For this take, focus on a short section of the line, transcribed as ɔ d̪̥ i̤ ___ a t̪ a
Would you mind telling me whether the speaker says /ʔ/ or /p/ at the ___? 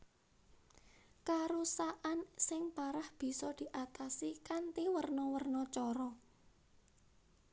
ʔ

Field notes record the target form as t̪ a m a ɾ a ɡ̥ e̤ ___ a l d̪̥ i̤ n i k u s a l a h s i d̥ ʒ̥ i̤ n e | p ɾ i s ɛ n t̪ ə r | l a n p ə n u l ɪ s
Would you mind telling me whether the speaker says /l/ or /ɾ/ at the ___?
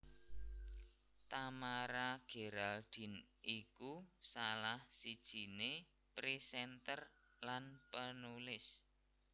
ɾ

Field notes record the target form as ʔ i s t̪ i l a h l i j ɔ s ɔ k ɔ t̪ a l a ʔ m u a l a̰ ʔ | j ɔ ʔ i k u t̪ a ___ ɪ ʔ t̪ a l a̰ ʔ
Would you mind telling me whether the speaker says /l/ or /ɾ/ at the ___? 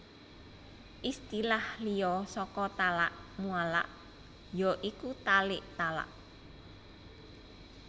l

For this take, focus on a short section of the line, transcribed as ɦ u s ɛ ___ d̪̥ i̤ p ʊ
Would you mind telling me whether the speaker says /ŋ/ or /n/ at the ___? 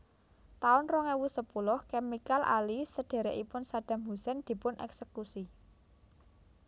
n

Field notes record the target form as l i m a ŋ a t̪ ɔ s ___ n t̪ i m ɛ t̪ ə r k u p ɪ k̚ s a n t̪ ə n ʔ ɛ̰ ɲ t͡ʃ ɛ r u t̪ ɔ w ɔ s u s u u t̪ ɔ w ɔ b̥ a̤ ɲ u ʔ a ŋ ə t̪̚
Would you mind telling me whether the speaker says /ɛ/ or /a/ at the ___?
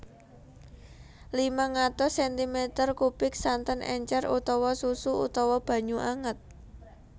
ɛ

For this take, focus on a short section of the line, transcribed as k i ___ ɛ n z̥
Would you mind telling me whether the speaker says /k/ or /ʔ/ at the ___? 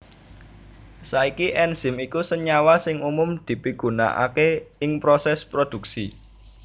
ʔ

